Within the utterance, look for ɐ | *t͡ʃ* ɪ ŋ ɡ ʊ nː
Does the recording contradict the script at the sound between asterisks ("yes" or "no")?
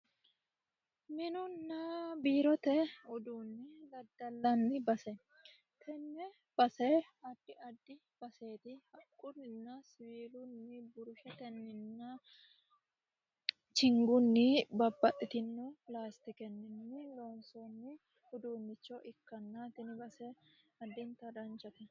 no